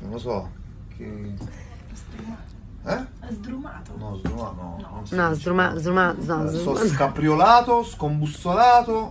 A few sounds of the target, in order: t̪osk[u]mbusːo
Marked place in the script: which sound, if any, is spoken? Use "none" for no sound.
o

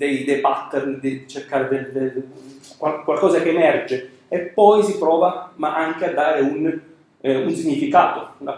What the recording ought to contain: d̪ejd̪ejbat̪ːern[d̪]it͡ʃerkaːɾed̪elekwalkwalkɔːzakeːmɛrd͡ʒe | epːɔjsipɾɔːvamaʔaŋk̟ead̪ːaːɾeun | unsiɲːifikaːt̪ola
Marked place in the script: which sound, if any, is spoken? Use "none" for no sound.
d̪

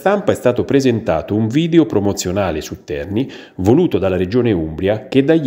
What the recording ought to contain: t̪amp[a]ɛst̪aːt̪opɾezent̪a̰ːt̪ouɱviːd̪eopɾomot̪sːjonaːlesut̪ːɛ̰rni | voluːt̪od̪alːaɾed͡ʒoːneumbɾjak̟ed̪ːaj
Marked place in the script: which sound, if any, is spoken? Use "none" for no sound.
a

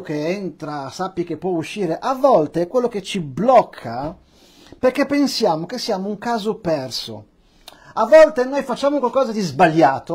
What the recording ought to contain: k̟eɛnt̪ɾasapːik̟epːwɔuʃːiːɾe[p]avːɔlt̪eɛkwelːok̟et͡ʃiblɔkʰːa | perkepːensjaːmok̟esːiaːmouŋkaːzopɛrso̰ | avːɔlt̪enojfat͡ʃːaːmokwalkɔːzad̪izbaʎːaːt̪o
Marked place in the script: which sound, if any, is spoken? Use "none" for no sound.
ʔ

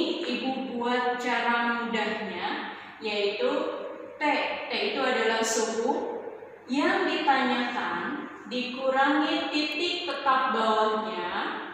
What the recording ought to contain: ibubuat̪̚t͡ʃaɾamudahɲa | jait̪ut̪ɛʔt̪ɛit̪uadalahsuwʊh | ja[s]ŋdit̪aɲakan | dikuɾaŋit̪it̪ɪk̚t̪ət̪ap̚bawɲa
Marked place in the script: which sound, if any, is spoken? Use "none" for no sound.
none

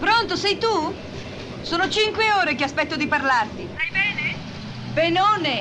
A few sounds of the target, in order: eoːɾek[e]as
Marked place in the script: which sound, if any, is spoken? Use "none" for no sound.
e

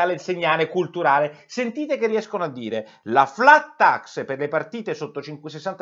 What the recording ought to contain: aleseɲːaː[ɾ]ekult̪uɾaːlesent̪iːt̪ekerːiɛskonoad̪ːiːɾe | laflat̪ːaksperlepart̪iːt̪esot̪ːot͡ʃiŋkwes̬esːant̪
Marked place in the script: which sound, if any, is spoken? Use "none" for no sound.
l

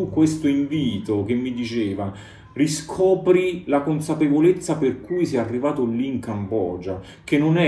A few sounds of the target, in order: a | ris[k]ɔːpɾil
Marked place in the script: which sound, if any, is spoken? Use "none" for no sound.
kʰ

